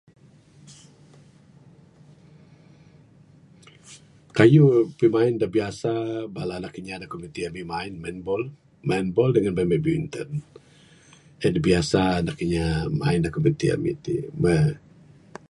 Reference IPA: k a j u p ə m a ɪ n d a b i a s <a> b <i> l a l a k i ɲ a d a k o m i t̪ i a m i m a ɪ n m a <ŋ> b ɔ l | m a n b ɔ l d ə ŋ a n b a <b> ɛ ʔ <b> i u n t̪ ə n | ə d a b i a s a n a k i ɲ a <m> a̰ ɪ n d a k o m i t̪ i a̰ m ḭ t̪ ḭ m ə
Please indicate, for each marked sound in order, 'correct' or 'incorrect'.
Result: correct, incorrect, incorrect, incorrect, correct, correct

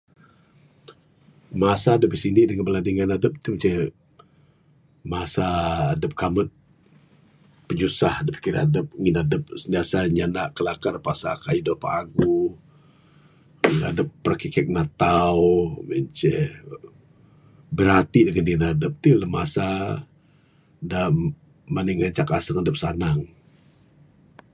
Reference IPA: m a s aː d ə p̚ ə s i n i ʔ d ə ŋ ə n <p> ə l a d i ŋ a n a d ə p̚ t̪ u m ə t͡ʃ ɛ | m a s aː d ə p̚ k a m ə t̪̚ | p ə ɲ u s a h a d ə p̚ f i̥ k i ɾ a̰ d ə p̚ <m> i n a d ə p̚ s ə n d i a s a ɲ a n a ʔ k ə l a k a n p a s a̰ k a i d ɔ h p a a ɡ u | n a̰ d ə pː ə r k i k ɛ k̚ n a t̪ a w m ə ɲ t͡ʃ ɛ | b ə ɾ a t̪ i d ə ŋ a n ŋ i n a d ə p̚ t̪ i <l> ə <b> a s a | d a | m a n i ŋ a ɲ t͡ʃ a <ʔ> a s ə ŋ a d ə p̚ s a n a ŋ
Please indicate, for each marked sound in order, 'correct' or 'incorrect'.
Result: incorrect, incorrect, correct, incorrect, incorrect

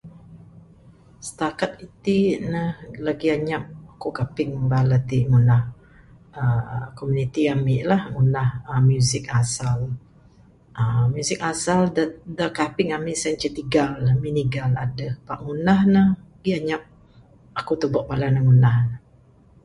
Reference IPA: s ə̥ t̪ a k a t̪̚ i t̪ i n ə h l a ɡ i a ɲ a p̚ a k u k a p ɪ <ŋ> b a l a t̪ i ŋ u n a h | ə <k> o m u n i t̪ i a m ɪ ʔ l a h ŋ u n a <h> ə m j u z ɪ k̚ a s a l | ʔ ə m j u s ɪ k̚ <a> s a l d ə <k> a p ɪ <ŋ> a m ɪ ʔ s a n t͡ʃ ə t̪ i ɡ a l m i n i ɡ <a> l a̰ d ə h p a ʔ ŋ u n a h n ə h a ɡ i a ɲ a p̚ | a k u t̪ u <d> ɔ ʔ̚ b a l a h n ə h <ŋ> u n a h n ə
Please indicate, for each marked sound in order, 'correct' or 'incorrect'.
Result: correct, correct, correct, correct, correct, correct, correct, incorrect, correct

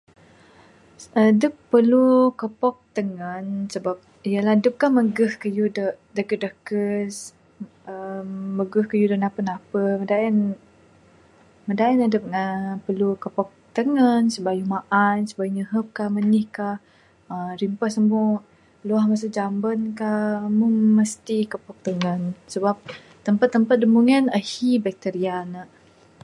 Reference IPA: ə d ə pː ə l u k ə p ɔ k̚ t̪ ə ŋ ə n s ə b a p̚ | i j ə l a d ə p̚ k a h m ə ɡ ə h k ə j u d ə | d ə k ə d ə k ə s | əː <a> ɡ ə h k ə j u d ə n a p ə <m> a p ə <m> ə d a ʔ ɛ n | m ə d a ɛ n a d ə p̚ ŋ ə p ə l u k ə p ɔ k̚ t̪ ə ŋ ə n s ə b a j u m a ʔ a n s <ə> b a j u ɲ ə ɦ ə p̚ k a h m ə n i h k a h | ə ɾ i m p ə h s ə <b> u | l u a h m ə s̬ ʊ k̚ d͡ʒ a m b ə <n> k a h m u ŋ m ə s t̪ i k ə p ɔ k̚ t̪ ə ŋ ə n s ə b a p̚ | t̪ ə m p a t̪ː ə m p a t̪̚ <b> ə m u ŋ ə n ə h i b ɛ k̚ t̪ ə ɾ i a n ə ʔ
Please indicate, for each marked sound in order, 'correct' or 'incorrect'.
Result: incorrect, incorrect, correct, correct, incorrect, correct, incorrect

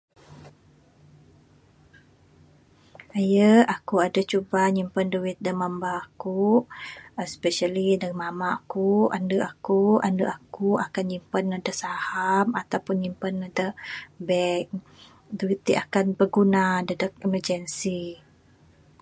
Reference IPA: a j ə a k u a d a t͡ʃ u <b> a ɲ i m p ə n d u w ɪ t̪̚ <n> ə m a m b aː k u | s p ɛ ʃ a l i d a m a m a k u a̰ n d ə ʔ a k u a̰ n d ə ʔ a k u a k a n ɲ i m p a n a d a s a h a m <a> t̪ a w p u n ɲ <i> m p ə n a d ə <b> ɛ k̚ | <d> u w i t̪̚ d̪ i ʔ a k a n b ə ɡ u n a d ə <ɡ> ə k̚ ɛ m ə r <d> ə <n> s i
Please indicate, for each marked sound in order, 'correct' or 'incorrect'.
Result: correct, incorrect, correct, correct, correct, correct, incorrect, incorrect, correct

